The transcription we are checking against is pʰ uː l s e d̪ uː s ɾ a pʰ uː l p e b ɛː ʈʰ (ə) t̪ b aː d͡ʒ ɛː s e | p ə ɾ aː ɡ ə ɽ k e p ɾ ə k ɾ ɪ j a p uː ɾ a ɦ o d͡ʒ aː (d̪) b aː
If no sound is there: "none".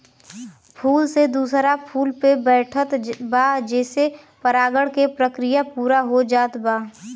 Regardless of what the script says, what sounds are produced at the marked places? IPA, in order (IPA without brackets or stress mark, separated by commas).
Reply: ə, t̪